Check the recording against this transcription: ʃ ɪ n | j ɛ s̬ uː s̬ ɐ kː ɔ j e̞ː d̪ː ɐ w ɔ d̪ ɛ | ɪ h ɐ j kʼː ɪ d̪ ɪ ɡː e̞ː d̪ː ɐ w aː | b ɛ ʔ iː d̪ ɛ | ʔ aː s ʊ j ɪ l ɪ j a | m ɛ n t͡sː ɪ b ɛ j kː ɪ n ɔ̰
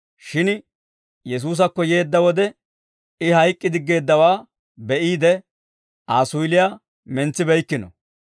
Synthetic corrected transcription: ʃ ɪ n | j ɛ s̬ uː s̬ ɐ kː ɔ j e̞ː d̪ː ɐ w ɔ d̪ ɛ | ɪ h ɐ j kʼː ɪ d̪ ɪ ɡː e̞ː d̪ː ɐ w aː | b ɛ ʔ iː d̪ ɛ | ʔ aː s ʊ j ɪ l ɪ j a | m ɛ n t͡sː ɪ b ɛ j kː ɪ n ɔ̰